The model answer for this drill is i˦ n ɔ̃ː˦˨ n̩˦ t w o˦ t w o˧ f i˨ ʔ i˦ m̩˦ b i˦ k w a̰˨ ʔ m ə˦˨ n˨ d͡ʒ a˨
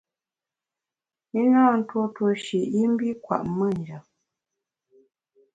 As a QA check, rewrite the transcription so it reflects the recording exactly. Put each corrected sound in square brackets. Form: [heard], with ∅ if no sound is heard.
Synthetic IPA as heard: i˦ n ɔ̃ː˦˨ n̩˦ t w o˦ t w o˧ [ʃ] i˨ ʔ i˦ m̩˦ b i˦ k w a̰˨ ʔ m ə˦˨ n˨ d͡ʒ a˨